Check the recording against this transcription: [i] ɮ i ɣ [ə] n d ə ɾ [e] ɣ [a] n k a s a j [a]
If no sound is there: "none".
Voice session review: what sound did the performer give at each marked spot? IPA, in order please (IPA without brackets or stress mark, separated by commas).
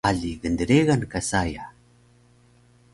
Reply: a, ə, e, a, a